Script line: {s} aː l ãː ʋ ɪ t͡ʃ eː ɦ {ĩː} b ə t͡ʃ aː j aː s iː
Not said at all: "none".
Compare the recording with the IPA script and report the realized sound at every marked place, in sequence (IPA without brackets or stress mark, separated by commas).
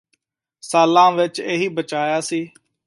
s, iː